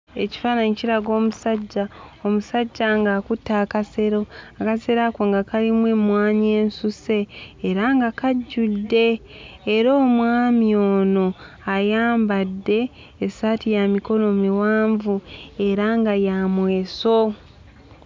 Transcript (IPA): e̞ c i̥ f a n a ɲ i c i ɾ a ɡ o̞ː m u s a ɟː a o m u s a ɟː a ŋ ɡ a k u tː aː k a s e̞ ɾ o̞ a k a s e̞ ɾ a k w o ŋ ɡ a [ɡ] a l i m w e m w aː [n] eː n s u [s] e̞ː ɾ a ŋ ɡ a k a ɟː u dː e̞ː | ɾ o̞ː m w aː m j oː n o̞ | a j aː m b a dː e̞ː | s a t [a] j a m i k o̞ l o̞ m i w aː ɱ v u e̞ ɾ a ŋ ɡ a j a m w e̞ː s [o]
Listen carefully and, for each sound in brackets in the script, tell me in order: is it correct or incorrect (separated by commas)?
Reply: incorrect, incorrect, correct, incorrect, correct